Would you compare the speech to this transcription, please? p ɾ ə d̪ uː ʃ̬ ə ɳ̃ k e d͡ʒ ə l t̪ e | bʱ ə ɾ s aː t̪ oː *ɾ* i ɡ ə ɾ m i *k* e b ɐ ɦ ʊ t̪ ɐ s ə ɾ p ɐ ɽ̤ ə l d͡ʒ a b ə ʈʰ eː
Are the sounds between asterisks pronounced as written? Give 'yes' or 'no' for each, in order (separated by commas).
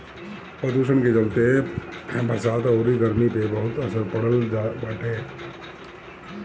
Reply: yes, no